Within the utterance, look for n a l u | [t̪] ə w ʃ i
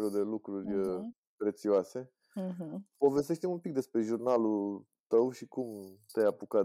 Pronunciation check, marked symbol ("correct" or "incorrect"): correct